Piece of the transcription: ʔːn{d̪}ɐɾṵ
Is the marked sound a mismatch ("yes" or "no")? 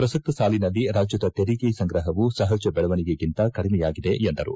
no